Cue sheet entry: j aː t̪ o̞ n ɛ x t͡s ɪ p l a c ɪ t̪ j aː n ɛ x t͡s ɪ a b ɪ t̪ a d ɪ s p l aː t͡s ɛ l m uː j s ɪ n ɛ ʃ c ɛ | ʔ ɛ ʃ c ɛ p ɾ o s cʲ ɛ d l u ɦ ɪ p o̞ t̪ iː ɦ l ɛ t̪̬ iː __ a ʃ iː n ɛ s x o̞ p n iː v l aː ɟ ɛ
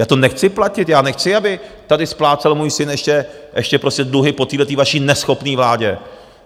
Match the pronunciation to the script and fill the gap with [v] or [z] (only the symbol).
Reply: v